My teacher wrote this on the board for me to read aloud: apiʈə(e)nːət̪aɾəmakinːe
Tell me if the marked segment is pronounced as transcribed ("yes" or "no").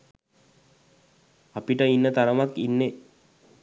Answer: no